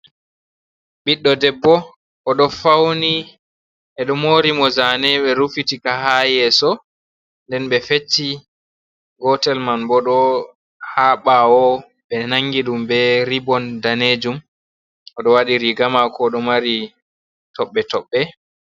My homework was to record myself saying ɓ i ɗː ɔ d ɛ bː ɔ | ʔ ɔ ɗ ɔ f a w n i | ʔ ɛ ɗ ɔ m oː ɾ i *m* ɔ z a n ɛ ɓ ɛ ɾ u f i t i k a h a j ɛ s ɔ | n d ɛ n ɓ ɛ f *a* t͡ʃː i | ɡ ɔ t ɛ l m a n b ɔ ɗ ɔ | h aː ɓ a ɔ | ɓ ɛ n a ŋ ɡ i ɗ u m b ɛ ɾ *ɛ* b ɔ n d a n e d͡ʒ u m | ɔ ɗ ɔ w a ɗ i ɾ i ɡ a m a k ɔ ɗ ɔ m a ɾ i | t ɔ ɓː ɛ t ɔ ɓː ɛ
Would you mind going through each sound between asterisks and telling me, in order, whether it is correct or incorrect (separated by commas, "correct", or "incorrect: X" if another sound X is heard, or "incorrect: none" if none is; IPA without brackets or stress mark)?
correct, incorrect: e, incorrect: i